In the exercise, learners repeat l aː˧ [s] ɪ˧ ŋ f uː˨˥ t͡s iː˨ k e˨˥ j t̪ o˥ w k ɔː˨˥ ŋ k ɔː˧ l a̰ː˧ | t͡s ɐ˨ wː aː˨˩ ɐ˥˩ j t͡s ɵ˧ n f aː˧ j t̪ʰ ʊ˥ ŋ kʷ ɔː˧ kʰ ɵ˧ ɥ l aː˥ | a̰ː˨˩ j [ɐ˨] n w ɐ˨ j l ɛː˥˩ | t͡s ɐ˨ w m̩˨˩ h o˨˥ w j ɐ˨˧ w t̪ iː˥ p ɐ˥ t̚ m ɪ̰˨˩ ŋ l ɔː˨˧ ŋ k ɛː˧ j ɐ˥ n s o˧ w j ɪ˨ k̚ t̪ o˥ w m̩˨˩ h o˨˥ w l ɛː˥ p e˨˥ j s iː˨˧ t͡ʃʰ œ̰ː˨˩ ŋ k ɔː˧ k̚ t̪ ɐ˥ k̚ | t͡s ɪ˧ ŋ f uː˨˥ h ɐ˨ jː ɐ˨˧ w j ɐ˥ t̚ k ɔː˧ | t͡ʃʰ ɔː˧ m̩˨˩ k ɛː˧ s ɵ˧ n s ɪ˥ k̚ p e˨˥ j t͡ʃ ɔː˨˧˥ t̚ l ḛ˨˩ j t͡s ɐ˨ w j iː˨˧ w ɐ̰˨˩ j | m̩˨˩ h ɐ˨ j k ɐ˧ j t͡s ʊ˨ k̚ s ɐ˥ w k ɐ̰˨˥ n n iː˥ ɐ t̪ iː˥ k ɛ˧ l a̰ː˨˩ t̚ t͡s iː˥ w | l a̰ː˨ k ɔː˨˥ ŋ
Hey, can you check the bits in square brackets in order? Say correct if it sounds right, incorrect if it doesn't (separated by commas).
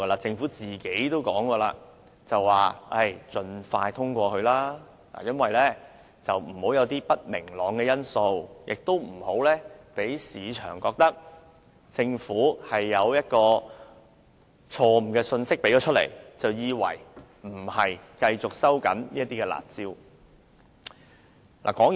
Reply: incorrect, incorrect